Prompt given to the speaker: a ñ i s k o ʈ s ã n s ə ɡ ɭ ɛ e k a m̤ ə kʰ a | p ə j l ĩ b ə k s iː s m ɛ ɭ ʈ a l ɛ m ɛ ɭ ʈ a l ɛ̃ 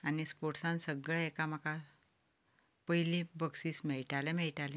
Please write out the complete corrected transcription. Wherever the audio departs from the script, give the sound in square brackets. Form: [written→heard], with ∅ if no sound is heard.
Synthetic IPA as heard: a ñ i s [k→p] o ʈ s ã n s ə ɡ ɭ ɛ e k a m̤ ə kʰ a | p ə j l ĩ b ə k s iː s m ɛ ɭ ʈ a l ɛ m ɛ ɭ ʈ a l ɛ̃